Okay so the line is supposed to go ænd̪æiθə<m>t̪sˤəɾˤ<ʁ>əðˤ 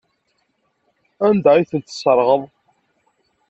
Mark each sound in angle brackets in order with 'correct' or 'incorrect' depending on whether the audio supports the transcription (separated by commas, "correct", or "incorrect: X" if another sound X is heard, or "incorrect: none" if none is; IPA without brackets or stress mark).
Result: incorrect: n, correct